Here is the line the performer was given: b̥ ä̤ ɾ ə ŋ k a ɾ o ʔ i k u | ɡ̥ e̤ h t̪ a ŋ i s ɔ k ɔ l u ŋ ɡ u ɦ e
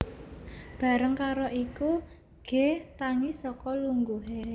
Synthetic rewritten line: b̥ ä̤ ɾ ə ŋ k a ɾ o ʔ i k u | ɡ̥ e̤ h t̪ a ŋ i s ɔ k ɔ l u ŋ ɡ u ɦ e